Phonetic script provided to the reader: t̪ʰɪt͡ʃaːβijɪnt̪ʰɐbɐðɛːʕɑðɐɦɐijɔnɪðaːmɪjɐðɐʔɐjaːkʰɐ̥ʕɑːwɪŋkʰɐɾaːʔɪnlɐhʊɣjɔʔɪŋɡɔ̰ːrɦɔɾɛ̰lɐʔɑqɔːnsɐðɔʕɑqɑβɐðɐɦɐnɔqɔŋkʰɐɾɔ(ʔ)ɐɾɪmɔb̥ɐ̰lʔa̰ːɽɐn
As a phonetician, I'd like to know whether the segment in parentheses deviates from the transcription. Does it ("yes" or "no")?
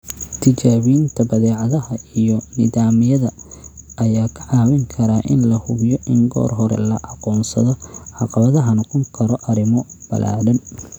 no